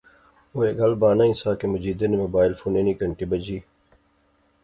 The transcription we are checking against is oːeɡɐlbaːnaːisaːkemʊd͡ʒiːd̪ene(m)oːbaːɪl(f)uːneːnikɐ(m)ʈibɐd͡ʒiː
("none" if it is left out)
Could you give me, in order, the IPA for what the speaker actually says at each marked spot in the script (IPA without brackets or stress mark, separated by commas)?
m, f, ɳ